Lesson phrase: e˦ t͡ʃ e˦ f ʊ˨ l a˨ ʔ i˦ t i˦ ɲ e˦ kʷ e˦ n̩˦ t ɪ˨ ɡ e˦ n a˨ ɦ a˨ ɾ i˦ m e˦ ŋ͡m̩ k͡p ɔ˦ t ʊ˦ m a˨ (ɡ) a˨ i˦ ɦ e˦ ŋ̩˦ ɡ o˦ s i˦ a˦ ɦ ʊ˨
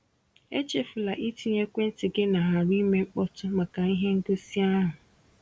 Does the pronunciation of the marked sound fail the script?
yes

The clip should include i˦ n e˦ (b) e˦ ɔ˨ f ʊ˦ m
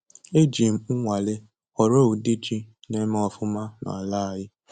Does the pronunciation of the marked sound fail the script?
yes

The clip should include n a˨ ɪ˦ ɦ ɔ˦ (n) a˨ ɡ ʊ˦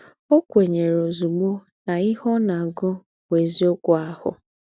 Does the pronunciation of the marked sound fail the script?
no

